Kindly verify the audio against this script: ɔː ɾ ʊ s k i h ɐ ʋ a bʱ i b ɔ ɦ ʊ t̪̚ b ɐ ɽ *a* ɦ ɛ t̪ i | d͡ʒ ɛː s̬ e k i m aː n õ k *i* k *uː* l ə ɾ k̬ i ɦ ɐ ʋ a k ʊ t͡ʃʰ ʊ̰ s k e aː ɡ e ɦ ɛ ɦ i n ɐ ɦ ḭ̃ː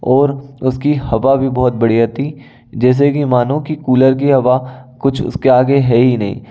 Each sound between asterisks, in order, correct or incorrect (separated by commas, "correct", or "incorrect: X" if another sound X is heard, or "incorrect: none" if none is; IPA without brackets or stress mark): incorrect: i, correct, correct